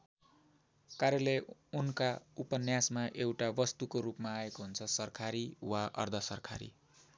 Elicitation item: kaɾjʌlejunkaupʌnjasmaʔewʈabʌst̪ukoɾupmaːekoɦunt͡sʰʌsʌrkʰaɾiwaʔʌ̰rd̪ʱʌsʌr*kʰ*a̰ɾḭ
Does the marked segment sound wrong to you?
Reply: no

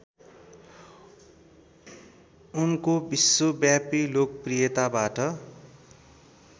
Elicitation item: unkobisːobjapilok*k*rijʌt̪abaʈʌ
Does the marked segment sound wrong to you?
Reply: yes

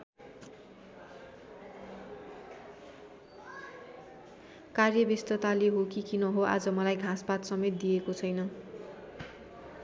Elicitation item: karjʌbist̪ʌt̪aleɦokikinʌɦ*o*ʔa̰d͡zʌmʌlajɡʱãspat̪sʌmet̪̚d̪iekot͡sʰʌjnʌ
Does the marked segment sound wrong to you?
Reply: no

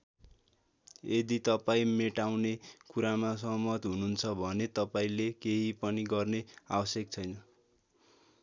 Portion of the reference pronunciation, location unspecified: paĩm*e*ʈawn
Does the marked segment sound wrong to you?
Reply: no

